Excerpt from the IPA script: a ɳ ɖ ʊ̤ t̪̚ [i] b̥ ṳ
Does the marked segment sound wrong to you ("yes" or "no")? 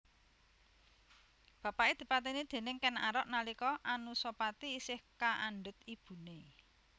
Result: no